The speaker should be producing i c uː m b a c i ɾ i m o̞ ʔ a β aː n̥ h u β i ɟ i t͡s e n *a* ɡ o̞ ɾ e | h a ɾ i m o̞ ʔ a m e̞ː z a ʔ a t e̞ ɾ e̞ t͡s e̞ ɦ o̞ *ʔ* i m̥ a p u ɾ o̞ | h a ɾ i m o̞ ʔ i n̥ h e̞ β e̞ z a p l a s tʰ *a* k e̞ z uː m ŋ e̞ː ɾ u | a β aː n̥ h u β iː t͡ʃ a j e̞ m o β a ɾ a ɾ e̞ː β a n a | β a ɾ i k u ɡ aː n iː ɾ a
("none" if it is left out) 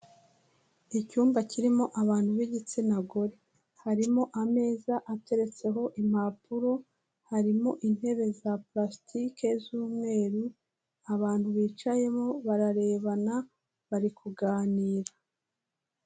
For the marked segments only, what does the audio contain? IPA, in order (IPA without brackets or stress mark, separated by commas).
a, ʔ, i